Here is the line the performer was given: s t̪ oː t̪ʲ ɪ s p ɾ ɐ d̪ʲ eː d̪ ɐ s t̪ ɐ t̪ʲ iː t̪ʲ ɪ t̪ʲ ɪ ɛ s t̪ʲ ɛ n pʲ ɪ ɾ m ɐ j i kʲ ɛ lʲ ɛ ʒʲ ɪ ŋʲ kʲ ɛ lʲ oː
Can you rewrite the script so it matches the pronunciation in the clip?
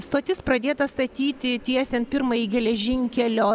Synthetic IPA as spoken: s t̪ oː t̪ʲ ɪ s p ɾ ɐ d̪ʲ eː t̪ ɐ s t̪ ɐ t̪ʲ iː t̪ʲ ɪ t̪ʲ i ɛ s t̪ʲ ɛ n pʲ ɪ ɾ m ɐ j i ɡʲ ɛ lʲ ɛ ʒʲ ɪ ŋʲ kʲ ɛ lʲ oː